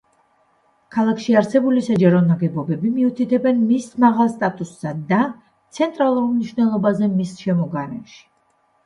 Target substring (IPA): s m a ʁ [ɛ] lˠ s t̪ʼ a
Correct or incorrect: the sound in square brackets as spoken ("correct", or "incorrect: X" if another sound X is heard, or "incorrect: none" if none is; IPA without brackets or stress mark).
incorrect: a